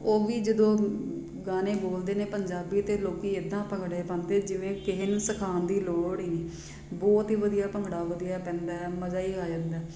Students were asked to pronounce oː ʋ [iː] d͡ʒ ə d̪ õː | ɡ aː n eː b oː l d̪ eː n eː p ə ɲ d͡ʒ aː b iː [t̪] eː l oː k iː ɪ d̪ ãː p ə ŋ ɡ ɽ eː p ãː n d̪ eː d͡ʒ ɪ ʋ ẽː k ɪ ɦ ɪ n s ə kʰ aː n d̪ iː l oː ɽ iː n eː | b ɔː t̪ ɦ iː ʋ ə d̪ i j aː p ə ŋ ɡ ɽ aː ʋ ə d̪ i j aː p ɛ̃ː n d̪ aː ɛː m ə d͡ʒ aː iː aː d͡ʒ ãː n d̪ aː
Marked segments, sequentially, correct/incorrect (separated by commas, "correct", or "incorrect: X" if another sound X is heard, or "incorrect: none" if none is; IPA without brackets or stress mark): correct, correct